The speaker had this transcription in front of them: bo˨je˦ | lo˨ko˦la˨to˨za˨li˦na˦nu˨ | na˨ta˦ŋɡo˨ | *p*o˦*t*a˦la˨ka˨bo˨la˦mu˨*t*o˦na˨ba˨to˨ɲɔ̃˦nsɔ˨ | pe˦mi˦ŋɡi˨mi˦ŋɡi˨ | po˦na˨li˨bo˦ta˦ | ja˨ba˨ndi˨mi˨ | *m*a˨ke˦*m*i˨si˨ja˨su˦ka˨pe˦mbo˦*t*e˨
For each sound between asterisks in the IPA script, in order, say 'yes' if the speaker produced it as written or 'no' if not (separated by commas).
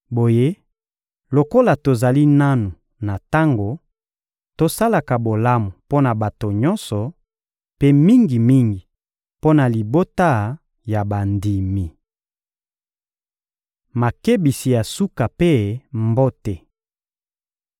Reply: no, no, no, yes, no, yes